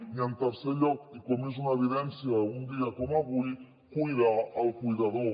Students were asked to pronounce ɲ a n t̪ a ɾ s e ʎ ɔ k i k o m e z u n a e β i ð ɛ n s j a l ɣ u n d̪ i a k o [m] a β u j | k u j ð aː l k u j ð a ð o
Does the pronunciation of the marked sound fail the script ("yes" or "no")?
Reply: no